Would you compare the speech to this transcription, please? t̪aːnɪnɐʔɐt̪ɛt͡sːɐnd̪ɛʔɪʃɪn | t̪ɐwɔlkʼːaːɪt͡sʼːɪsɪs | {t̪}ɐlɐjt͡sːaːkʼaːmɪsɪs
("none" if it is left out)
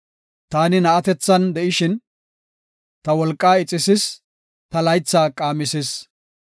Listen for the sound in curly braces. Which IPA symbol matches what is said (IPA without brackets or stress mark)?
t̪